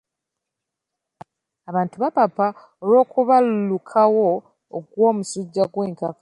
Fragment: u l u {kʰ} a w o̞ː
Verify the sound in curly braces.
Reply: correct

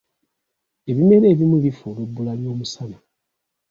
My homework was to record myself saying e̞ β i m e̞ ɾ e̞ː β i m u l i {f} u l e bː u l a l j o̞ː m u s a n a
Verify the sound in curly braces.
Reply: correct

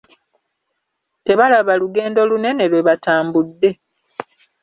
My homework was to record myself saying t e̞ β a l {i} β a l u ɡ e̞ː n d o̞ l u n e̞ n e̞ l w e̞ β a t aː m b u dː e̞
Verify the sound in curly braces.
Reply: incorrect: a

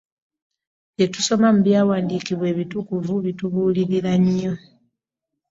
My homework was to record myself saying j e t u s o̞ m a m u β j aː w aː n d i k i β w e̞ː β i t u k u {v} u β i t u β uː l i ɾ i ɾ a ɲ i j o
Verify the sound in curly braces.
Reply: correct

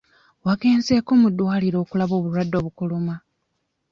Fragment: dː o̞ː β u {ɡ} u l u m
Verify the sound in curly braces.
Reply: incorrect: k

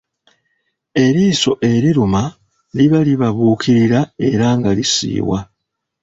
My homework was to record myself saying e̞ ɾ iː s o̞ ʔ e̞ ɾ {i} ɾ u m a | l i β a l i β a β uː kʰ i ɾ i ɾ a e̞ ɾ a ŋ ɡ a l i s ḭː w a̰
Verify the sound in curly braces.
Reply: correct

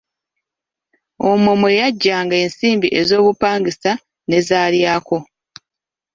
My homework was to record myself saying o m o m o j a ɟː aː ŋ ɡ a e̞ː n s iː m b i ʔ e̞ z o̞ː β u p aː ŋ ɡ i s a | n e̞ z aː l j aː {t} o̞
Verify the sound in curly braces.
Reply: incorrect: k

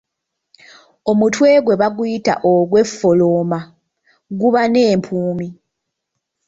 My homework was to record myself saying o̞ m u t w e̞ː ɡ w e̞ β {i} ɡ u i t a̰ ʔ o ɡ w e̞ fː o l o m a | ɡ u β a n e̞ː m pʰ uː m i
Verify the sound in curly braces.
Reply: incorrect: a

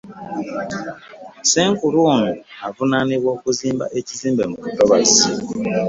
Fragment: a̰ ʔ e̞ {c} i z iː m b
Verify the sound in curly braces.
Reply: correct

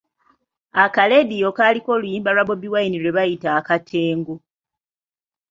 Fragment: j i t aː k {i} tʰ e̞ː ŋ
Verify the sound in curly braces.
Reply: incorrect: a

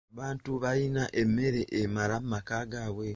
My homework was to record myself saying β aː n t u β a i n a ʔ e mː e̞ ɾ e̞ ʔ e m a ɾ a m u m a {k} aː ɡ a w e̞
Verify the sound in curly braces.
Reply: correct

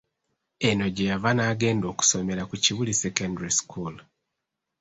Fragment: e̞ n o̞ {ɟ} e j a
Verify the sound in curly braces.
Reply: correct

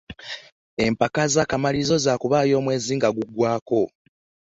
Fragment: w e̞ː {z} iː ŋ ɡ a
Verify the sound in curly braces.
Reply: correct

